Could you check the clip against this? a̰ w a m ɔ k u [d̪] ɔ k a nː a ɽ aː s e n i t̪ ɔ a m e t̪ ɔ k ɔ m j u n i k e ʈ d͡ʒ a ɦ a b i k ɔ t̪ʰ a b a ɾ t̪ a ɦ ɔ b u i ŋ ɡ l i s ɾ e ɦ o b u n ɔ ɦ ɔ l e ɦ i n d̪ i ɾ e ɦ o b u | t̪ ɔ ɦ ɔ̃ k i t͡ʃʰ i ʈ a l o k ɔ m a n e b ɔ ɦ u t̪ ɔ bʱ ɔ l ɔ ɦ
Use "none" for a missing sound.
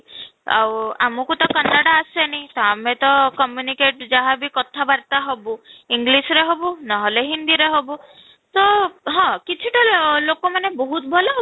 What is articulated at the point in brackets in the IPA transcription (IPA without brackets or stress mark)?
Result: t̪